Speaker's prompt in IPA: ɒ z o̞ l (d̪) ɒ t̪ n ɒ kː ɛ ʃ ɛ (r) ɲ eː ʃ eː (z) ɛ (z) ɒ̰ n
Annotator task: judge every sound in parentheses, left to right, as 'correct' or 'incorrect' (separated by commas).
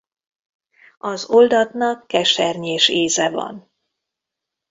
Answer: correct, correct, correct, incorrect